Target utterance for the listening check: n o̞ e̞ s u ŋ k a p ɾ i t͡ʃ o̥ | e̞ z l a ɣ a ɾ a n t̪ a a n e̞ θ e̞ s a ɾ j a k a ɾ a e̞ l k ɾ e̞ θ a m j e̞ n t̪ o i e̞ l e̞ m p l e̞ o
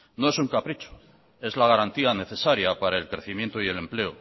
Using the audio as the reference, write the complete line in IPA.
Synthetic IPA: n o̞ e̞ s u ŋ k a p ɾ i t͡ʃ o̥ | e̞ z l a ɣ a ɾ a n t̪ i a n e̞ θ e̞ s a ɾ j a p a ɾ a e̞ l k ɾ e̞ θ i m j e̞ n t̪ o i e̞ l e̞ m p l e̞ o